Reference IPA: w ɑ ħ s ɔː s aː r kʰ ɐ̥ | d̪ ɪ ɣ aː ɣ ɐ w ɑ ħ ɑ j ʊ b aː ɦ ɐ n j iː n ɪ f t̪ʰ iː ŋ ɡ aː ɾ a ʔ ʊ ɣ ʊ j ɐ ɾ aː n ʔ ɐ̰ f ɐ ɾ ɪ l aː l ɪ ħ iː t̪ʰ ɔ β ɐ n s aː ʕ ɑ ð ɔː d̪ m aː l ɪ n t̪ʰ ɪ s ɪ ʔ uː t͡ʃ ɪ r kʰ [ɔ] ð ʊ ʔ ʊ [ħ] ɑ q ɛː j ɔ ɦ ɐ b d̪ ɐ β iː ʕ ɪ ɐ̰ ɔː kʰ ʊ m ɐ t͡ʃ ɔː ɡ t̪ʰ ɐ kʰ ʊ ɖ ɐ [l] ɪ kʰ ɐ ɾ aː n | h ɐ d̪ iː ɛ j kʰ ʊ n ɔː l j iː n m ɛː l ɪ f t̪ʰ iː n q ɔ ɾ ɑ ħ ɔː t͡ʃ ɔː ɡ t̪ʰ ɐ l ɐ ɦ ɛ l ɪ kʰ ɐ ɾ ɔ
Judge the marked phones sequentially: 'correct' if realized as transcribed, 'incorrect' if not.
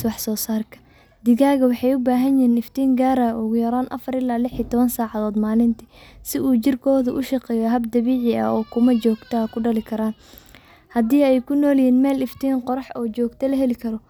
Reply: incorrect, incorrect, correct

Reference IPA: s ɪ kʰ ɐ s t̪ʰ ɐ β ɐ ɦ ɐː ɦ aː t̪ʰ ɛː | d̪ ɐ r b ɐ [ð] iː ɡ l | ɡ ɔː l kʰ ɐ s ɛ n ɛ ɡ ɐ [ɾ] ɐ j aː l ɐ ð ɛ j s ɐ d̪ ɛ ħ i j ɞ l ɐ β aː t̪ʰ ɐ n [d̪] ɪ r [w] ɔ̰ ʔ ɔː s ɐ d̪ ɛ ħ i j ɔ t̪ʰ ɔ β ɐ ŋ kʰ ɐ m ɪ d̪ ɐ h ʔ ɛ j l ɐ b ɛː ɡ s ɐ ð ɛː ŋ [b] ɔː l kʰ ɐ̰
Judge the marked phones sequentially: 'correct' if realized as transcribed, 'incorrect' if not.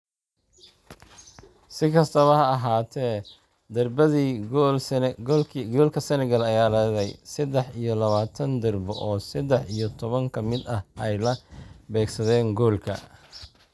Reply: correct, incorrect, correct, incorrect, incorrect

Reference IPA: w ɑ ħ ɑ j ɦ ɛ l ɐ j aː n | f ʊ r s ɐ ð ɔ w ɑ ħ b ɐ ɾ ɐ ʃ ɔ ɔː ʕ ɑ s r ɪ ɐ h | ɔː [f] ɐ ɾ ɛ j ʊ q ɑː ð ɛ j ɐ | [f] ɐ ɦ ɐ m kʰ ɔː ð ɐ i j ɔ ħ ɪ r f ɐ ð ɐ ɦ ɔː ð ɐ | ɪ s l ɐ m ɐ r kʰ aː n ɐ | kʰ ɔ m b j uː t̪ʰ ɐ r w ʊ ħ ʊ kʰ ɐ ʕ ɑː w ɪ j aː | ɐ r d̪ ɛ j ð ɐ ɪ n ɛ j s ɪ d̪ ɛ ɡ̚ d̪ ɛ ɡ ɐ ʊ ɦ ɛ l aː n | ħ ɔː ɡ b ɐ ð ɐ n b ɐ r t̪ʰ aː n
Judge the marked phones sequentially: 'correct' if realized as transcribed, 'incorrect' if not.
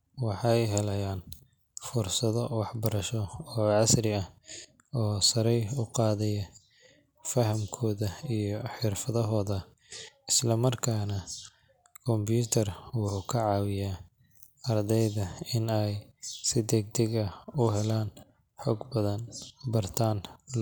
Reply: incorrect, correct

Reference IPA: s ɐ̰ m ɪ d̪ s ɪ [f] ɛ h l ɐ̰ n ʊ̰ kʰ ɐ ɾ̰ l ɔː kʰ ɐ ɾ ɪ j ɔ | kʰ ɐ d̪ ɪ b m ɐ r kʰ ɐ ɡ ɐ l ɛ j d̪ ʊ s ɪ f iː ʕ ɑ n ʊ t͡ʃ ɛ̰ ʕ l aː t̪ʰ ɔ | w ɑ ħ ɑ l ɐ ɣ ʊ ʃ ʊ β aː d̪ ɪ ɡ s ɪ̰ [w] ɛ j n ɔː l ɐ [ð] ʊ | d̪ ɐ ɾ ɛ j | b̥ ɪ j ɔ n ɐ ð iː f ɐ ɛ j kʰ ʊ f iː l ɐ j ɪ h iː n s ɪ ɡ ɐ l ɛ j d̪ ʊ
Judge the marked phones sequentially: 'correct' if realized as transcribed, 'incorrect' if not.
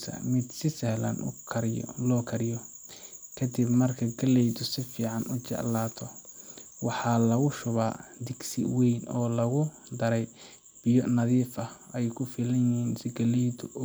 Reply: incorrect, correct, incorrect

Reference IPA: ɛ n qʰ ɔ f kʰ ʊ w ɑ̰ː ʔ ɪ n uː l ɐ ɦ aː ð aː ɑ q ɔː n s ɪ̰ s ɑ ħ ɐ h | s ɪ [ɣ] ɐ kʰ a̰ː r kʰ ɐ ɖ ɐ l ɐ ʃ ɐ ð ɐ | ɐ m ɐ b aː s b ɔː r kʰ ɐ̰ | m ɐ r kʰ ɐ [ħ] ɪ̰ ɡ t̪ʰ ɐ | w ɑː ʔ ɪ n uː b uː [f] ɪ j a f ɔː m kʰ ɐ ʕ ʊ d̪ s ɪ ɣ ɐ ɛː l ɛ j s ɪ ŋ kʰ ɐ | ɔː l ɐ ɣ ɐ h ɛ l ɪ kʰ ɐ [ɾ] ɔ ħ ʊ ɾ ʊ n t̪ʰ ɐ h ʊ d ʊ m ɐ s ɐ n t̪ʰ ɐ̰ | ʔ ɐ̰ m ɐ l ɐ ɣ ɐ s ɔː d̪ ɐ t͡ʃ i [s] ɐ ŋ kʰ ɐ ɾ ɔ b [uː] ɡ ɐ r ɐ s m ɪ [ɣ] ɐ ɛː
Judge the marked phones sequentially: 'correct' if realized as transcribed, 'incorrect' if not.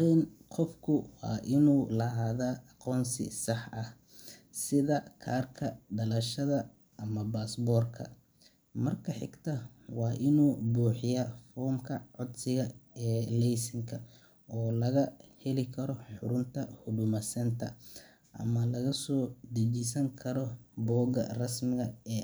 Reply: incorrect, correct, incorrect, correct, correct, incorrect, correct

